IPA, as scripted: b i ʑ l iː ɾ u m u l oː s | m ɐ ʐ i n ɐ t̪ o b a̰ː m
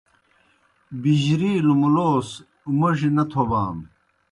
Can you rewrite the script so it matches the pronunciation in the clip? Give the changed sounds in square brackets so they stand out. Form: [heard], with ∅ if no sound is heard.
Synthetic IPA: b i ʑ [ɾ] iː [l] u m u l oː s | m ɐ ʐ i n ɐ [t̪ʰ] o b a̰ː m

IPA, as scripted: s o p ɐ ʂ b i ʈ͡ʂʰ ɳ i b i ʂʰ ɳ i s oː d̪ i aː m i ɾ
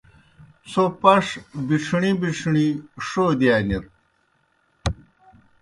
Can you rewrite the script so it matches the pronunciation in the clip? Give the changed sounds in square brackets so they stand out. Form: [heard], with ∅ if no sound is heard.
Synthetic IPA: s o p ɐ ʂ b i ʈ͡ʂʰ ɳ i b i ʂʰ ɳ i [ʂ] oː d̪ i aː [n] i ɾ

